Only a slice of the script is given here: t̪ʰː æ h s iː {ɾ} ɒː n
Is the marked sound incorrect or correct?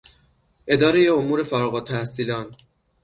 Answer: incorrect